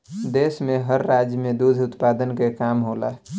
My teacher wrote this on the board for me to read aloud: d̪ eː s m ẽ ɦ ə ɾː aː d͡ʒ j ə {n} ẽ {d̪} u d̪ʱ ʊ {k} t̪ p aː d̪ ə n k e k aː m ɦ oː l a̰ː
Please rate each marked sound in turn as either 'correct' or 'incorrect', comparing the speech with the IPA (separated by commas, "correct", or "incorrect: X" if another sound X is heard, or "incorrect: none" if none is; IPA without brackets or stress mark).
incorrect: m, correct, incorrect: none